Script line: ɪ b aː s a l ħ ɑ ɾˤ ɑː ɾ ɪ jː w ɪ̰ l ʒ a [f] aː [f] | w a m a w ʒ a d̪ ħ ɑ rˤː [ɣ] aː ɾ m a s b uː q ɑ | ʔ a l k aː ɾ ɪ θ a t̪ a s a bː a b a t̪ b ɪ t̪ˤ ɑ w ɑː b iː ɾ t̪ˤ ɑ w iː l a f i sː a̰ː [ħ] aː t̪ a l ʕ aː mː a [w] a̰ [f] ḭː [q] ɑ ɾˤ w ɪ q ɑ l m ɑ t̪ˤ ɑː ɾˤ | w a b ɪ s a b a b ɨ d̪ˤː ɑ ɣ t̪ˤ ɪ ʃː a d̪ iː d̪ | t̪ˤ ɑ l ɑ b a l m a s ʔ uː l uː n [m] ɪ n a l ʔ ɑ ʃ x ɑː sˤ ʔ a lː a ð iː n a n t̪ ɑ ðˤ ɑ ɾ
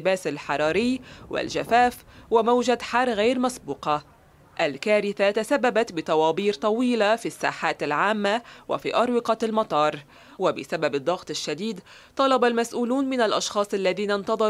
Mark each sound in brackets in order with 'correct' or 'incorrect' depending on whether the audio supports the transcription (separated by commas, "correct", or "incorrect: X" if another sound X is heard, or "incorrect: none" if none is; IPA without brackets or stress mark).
correct, correct, correct, correct, correct, correct, incorrect: ʔ, correct